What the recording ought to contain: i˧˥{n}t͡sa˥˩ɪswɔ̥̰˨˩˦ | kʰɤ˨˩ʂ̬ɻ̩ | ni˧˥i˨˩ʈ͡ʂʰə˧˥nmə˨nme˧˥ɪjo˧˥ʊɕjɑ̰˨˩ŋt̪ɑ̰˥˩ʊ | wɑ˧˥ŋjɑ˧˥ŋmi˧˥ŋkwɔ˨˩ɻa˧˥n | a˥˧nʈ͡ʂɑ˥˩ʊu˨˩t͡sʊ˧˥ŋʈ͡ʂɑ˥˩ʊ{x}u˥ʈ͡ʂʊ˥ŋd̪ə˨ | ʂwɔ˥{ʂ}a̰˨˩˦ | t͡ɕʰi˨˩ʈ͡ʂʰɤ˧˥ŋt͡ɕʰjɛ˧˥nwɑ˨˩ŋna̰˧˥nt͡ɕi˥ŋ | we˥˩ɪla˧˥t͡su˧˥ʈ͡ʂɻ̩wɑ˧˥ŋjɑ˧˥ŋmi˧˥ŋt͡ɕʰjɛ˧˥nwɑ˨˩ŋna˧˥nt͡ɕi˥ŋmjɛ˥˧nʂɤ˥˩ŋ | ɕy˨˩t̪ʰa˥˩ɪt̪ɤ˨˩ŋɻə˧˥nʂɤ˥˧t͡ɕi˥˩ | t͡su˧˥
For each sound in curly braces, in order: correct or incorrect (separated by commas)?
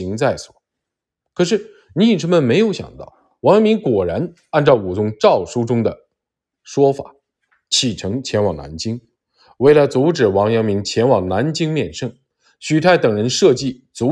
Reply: incorrect, incorrect, incorrect